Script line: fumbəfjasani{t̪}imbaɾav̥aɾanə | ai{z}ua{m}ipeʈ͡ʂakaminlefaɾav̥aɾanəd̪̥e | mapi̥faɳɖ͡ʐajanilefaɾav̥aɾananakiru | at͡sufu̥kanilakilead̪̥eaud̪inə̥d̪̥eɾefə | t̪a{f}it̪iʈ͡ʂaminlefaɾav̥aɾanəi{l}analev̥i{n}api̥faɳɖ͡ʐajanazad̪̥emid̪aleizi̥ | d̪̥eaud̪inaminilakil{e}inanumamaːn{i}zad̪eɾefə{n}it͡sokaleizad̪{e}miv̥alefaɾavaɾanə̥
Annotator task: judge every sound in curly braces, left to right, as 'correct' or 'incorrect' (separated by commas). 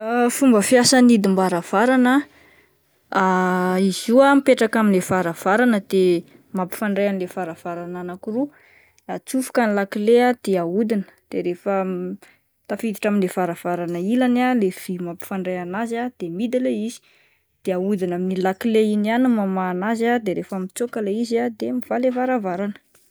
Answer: incorrect, correct, correct, correct, correct, incorrect, correct, incorrect, incorrect, correct